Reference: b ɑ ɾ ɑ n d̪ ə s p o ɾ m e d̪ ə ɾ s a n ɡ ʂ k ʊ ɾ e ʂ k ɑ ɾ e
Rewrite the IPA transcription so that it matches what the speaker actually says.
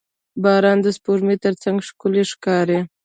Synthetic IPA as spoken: b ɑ ɾ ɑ n d̪ ə s p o ɾ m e t̪ ə ɾ t͡s a ŋ ɡ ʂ k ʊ l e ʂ k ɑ ɾ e